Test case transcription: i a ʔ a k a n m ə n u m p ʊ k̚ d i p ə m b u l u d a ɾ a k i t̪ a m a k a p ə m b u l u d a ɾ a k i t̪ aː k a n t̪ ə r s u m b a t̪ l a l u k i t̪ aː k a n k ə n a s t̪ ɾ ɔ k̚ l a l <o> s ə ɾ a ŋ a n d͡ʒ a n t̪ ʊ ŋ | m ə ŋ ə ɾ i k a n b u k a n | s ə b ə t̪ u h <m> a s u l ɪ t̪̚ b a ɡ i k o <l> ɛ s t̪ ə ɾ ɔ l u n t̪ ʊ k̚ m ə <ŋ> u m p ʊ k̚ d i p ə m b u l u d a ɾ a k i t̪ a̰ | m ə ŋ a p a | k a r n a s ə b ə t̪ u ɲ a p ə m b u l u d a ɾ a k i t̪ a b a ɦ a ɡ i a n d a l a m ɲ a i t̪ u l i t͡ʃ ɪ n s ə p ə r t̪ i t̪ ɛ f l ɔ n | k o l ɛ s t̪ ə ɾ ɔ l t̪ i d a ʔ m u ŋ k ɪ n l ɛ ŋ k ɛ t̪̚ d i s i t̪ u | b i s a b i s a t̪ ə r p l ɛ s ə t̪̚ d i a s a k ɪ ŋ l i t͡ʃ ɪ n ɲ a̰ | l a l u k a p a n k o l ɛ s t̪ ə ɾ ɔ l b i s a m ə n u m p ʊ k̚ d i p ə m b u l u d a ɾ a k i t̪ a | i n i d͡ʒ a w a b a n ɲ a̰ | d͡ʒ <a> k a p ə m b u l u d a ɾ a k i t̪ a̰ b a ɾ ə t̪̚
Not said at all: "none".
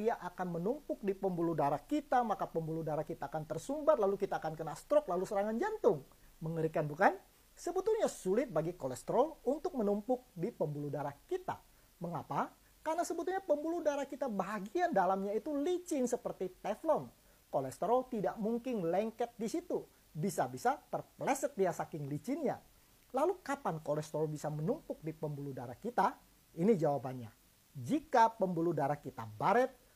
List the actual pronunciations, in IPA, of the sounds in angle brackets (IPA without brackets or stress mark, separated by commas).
u, ɲ, l, n, i